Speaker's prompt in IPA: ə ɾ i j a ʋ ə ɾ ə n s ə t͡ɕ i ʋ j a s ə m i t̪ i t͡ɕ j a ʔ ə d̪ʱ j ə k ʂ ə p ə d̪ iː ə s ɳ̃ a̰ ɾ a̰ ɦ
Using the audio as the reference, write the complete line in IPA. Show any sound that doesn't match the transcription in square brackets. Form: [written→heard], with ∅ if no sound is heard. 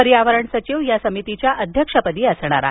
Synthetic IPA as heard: ə ɾ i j a ʋ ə ɾ ə [n→ɳ] s ə t͡ɕ i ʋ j a s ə m i t̪ i t͡ɕ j a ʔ ə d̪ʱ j ə k ʂ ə p ə d̪ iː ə s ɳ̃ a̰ ɾ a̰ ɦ